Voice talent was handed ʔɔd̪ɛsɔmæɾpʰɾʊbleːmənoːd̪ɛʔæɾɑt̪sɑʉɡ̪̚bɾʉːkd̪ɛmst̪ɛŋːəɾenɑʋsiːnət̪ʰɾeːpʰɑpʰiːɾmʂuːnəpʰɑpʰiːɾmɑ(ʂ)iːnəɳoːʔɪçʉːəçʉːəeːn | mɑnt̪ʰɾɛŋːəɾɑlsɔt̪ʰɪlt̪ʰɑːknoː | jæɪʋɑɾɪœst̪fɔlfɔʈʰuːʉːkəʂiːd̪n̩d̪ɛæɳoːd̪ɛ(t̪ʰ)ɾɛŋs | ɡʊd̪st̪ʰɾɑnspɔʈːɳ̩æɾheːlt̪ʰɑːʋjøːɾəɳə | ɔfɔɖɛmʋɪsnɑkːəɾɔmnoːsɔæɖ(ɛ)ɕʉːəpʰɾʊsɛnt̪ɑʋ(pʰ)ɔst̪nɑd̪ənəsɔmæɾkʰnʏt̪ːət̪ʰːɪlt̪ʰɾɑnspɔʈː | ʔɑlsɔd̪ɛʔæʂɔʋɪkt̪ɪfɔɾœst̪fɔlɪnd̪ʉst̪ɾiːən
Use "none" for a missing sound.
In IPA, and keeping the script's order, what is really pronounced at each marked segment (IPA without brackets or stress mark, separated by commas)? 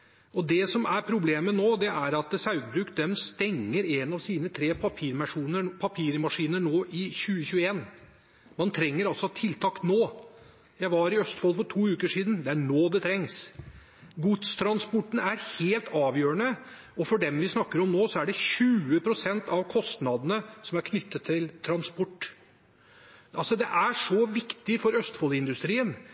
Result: ʂ, t̪ʰ, ɛ, kʰ